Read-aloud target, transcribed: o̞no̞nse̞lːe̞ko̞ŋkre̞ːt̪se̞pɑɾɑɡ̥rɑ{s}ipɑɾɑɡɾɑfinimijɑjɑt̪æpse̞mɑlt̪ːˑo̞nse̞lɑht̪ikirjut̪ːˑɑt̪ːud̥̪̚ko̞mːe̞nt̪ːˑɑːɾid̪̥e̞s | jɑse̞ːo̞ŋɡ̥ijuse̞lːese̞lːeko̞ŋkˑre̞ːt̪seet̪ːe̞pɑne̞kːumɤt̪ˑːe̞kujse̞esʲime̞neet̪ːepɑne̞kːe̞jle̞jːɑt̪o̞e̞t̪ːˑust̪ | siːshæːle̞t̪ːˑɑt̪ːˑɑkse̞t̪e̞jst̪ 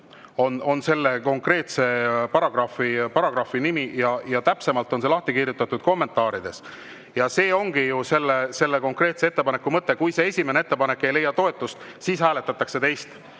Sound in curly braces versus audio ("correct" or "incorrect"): incorrect